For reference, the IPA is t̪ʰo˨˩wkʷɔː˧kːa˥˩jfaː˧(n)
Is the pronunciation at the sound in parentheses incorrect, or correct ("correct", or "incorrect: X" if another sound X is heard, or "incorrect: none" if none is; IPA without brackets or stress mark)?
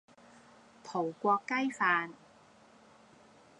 correct